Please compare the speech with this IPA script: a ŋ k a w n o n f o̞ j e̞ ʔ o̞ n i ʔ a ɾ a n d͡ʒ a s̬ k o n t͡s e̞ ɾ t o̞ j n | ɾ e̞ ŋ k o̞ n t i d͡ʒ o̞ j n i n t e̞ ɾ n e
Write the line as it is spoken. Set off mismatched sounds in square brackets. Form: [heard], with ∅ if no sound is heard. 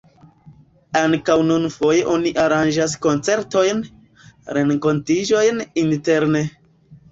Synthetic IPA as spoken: a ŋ k a w n [u] n f o̞ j e̞ ʔ o̞ n i ʔ a ɾ a n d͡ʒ a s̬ k o n t͡s e̞ ɾ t o̞ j n | ɾ e̞ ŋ k o̞ n t i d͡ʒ o̞ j n i n t e̞ ɾ n e